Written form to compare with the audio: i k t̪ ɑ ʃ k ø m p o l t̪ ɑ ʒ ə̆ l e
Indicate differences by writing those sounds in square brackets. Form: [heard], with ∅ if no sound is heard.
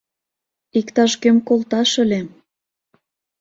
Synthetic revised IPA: i k t̪ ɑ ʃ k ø m [k] o l t̪ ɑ [ʃ] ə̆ l e